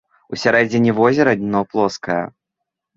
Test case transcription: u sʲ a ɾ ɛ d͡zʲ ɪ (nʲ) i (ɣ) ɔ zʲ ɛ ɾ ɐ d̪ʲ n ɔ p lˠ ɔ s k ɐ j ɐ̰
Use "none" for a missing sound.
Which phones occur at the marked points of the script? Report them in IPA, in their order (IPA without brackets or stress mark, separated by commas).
nʲ, v